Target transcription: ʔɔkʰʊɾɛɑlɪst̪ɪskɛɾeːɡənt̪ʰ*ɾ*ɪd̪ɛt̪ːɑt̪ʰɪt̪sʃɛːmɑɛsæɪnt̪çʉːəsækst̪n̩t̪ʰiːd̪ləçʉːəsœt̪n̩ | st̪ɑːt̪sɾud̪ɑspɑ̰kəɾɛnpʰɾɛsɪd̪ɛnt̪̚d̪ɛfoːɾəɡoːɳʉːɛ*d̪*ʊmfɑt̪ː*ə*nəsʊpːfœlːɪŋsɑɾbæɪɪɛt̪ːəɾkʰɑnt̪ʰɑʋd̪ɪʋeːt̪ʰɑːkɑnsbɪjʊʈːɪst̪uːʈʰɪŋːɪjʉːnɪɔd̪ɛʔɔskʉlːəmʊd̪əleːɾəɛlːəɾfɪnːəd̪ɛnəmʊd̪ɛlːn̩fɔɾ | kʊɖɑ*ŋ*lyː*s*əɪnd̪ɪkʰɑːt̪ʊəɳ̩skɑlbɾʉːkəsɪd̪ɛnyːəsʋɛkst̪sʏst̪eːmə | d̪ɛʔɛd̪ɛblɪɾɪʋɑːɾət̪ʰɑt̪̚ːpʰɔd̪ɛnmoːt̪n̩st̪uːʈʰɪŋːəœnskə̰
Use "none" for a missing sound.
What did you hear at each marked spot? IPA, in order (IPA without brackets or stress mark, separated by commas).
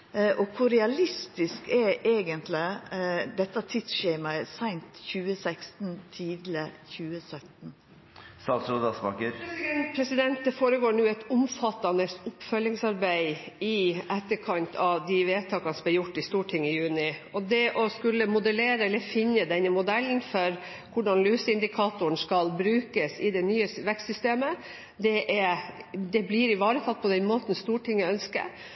l, t̪, ɑ, n, s